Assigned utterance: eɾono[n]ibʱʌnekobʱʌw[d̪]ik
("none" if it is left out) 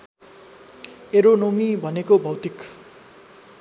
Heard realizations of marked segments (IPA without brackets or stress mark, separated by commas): m, t̪